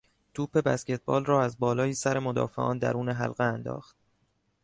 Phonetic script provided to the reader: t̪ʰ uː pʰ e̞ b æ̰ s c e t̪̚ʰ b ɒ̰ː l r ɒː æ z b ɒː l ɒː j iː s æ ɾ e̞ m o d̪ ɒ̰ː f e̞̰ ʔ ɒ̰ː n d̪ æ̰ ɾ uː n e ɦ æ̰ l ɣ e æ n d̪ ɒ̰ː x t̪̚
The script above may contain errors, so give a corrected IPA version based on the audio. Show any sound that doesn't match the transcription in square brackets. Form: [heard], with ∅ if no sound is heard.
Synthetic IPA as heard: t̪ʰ uː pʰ e̞ b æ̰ s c e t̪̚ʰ b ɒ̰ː l r ɒː æ z b ɒː l ɒː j iː s æ ɾ e̞ m o d̪ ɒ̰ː f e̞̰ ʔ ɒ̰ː n d̪ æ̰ ɾ uː n e ɦ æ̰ l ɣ e æ n d̪ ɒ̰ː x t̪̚